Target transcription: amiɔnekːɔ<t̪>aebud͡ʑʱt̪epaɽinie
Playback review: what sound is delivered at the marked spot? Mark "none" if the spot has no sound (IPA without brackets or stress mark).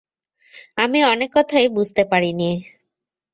t̪ʰ